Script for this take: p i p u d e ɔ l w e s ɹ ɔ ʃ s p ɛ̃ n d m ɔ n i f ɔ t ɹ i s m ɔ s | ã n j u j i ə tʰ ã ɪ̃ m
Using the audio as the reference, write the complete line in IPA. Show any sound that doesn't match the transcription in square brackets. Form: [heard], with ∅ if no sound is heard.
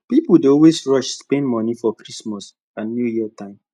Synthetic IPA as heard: p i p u d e ɔ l w e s ɹ ɔ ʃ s p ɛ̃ n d m ɔ n i f ɔ [k] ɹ i s m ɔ s | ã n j u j i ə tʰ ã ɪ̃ m

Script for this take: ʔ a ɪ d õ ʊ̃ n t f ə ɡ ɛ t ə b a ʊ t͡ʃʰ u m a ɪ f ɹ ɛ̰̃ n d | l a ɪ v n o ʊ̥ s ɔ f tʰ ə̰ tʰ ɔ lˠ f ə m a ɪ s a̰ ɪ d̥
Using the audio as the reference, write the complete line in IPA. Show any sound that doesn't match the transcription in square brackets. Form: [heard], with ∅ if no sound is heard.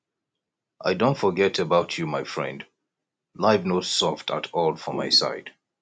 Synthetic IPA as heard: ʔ a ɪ d õ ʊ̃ n t f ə ɡ ɛ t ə b a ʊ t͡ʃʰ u m a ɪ f ɹ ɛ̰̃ n d | l a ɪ v n o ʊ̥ s ɔ f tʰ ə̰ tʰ ɔ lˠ f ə m a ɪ s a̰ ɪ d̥

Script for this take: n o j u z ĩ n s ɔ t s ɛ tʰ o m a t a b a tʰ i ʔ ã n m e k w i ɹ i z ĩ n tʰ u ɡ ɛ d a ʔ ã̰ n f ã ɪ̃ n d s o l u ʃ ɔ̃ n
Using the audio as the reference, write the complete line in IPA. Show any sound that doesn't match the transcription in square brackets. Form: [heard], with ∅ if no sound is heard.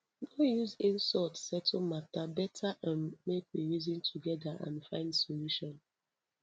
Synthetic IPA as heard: n o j u z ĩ n s ɔ t s ɛ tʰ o m a t a b [ɛ] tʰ [a] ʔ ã n m e k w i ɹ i z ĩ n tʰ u ɡ ɛ d a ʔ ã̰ n f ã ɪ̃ n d s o l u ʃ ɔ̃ n

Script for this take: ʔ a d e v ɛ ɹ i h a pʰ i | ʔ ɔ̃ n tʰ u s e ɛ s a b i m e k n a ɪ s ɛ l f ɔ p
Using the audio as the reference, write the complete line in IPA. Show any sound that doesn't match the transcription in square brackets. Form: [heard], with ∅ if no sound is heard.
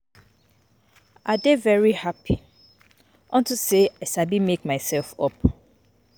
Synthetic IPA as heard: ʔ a d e v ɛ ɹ i h a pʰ i | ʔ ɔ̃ n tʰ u s e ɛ s a b i m e k [m] a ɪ s ɛ l f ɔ p

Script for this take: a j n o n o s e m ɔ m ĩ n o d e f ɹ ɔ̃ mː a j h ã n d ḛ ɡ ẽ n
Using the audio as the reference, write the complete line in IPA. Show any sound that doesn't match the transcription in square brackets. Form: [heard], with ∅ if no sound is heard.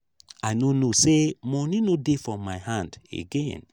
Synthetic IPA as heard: a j n o n o s e m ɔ [n] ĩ n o d e f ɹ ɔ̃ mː a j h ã n d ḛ ɡ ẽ n

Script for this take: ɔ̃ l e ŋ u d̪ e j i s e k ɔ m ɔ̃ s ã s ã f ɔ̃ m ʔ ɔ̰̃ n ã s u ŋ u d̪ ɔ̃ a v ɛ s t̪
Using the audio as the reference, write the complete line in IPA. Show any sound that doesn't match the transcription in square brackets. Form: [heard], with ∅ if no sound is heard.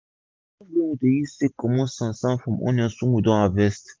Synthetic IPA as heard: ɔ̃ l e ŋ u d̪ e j i s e k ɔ m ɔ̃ s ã s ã f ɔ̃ m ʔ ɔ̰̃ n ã s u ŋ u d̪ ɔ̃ a v ɛ s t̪

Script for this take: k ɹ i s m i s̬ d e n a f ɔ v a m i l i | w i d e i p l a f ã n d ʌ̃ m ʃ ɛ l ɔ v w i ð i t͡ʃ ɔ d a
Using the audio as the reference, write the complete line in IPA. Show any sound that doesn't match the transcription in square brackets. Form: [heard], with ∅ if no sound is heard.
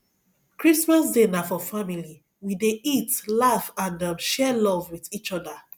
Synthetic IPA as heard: k ɹ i s m [a] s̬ d e n a f ɔ [f] a m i l i | w i d e i [t] l a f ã n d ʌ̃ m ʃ ɛ l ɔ v w i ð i t͡ʃ ɔ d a

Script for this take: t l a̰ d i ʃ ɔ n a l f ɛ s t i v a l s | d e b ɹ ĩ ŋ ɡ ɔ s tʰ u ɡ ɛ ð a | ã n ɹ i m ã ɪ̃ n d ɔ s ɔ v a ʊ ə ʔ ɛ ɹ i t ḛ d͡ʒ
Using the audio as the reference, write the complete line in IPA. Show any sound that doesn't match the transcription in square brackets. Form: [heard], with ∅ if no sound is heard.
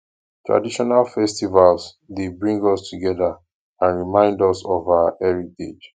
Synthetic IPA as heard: t [ɹ] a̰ d i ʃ ɔ n a l f ɛ s t i v a l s | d e b ɹ ĩ ŋ ɡ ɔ s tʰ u ɡ ɛ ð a | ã n ɹ i m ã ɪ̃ n d ɔ s ɔ v a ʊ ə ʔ ɛ ɹ i t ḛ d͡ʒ

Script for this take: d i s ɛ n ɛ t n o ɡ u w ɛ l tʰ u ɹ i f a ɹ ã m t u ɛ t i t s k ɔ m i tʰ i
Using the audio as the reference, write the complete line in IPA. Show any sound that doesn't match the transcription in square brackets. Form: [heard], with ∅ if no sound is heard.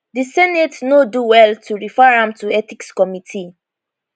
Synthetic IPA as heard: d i s ɛ n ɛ t n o [d] u w ɛ l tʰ u ɹ i f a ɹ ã m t u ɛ t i [k] s k ɔ m i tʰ i

